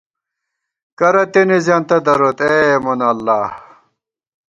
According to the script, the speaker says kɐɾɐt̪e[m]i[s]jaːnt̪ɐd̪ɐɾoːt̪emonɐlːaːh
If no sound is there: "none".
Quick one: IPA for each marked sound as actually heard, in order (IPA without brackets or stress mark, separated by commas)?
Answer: n, z